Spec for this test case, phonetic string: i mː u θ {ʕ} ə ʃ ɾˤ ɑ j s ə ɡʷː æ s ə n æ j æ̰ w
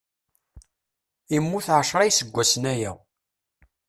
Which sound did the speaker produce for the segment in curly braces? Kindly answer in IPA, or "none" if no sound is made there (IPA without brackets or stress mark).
ʕ